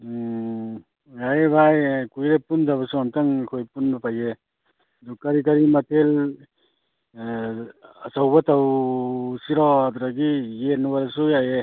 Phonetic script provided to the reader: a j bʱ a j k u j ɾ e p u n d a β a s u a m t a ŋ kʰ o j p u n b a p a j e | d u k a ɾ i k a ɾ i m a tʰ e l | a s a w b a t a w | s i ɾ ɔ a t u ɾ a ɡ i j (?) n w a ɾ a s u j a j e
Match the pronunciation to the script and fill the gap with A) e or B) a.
A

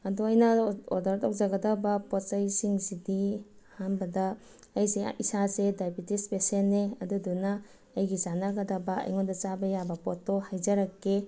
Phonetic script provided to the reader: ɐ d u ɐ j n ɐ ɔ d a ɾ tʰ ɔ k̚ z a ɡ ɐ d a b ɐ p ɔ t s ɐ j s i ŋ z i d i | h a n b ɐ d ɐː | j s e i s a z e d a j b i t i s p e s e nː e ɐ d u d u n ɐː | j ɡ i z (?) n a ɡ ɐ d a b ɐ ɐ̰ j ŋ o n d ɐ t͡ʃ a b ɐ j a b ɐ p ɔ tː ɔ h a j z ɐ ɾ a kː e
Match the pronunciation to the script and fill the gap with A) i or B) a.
B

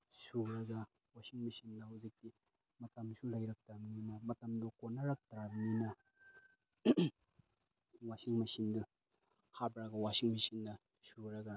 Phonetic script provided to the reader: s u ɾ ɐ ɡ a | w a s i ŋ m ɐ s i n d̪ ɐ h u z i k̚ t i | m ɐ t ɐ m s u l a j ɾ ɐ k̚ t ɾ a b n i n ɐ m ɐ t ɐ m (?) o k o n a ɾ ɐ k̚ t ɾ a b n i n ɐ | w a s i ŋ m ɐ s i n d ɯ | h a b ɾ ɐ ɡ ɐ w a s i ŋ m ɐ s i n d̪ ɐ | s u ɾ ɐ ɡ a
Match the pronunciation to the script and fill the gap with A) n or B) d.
B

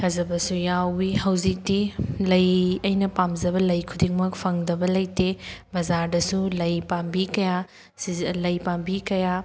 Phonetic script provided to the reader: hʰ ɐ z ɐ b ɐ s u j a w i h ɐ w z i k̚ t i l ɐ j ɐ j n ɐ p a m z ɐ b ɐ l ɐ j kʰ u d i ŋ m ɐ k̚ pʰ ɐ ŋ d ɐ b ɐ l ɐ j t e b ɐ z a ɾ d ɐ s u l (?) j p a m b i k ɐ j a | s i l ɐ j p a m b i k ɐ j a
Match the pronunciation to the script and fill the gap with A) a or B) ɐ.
B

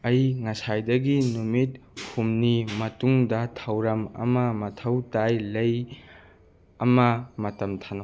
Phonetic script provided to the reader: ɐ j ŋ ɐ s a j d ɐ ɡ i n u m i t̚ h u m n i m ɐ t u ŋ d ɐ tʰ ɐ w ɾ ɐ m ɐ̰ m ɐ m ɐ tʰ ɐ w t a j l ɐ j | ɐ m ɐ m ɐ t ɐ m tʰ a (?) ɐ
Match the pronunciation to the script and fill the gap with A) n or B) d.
A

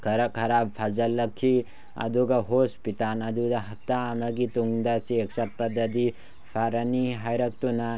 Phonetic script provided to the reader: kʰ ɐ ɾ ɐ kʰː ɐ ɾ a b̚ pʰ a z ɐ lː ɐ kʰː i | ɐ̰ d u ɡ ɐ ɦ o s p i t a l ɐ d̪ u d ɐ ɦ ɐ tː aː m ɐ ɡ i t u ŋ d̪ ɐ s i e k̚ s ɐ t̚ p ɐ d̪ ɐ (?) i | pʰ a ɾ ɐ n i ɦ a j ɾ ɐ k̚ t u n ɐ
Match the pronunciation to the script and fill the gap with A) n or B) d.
B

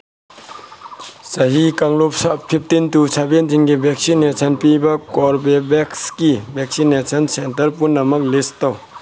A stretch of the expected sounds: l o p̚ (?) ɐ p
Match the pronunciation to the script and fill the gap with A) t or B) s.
B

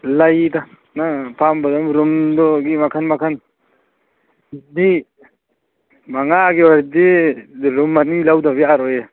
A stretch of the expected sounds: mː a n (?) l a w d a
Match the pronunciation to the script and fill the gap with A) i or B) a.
A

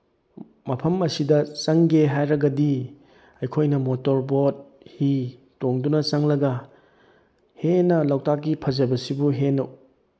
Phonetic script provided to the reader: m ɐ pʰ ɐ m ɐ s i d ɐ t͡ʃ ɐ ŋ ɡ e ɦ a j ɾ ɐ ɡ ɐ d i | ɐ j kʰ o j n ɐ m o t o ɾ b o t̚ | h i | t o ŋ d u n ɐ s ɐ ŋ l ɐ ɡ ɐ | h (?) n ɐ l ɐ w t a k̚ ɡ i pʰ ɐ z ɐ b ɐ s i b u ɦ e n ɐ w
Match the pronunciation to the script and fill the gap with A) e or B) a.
A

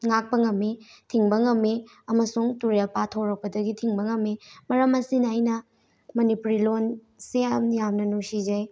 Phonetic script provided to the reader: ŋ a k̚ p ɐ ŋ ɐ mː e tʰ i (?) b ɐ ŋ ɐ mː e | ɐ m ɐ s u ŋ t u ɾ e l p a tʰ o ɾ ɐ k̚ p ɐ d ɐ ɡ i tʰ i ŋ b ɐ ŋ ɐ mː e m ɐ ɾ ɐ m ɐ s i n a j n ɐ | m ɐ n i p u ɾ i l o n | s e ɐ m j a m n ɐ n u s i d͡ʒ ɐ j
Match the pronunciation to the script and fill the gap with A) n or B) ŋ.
B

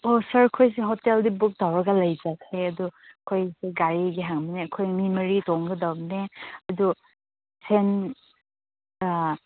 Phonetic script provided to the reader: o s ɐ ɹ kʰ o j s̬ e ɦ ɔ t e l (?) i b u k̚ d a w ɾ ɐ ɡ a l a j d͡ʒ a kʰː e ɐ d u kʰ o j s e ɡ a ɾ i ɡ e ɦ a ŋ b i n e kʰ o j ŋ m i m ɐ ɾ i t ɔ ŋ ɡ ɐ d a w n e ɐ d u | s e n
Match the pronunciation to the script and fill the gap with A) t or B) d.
B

